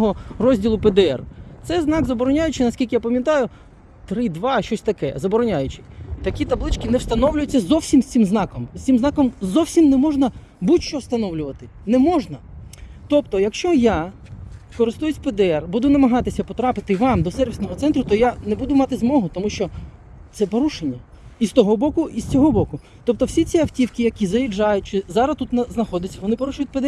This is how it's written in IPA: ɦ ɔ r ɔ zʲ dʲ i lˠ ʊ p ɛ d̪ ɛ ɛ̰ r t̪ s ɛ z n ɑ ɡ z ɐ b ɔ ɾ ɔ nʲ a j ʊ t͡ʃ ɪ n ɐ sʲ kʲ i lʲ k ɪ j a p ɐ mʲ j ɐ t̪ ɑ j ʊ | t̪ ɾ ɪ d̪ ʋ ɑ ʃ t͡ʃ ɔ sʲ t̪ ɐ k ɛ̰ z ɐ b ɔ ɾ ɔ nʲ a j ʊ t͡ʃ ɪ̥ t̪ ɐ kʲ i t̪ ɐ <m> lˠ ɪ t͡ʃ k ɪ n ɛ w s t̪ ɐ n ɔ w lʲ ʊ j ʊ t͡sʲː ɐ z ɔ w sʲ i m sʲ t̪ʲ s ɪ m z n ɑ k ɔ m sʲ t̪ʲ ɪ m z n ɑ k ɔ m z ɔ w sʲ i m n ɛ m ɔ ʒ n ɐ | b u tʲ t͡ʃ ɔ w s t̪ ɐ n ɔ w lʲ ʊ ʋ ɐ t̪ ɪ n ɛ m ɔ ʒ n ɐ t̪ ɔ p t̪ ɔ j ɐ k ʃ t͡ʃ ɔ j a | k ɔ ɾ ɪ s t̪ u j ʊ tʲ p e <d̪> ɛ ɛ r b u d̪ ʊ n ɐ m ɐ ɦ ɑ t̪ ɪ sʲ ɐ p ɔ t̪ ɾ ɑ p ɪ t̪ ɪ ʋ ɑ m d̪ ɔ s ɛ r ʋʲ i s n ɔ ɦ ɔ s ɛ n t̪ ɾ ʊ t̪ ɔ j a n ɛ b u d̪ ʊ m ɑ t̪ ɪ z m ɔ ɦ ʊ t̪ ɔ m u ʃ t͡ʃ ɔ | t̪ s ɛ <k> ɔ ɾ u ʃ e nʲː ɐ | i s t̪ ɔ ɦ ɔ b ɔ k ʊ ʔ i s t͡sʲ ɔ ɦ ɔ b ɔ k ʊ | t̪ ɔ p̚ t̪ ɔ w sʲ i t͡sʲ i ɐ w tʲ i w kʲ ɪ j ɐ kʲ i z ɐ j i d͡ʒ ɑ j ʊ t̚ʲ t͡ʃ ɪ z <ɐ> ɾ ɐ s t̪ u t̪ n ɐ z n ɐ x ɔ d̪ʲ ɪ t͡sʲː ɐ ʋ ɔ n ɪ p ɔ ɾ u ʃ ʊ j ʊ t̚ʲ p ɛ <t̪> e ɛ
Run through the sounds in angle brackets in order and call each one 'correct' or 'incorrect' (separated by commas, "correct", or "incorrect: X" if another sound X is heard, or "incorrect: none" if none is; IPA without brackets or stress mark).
incorrect: b, correct, incorrect: p, incorrect: ɑ, incorrect: d̪